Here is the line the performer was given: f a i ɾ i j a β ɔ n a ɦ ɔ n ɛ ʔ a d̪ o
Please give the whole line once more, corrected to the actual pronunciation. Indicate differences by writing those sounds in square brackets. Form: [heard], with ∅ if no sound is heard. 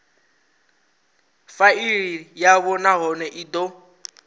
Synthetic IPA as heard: f a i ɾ i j a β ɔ n a ɦ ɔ n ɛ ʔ [i] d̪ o